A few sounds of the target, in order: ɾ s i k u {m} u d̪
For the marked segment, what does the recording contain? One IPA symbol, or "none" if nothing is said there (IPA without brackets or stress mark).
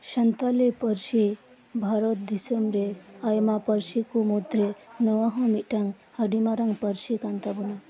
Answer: m